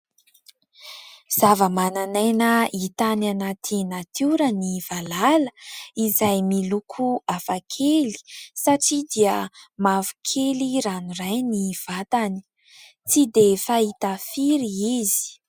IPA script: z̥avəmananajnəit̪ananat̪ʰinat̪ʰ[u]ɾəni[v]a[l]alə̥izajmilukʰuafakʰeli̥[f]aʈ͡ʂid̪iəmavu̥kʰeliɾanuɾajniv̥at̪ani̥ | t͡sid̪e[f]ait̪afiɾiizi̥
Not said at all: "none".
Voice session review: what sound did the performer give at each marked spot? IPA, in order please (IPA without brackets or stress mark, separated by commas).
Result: u, v, l, s, f